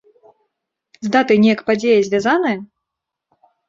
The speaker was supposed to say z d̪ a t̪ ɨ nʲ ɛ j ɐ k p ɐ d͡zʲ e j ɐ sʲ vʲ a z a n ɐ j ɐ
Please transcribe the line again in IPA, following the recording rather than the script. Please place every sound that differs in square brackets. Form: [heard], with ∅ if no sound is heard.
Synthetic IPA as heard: z d̪ a t̪ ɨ nʲ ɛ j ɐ k p [a] d͡zʲ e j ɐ [zʲ] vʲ a z a n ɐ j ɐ